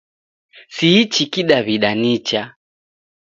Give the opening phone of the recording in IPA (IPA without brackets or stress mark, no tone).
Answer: s